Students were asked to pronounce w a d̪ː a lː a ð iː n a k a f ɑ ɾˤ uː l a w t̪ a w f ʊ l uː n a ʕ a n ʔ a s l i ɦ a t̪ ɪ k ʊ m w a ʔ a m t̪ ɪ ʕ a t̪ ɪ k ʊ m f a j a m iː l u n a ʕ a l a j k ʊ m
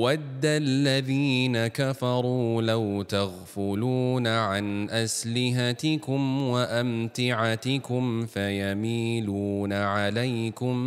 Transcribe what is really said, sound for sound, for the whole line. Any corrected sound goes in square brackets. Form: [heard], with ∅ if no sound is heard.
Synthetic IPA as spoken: w a d̪ː a lː a ð iː n a k a f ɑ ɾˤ uː l a w t̪ a [ɣ] f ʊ l uː n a ʕ a n ʔ a s l [ɪ] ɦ a t̪ ɪ k ʊ m w a ʔ a m t̪ ɪ ʕ a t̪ ɪ k ʊ m f a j a m iː l [uː] n a ʕ a l a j k ʊ m